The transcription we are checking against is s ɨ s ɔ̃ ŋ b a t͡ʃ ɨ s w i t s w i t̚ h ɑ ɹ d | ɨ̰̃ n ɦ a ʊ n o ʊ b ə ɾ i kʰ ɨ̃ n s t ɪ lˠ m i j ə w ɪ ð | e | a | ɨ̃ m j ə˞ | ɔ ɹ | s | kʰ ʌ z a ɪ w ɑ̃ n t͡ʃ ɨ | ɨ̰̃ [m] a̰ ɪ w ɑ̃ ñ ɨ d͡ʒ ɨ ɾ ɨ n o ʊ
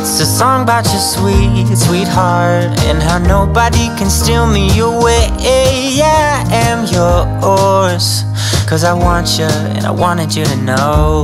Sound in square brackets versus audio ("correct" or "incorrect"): incorrect